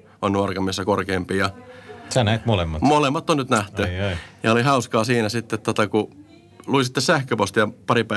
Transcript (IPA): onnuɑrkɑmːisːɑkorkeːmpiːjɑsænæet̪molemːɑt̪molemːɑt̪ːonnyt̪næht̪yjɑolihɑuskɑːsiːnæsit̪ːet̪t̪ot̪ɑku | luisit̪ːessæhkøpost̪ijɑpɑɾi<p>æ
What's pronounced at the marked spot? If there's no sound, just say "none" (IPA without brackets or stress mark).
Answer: p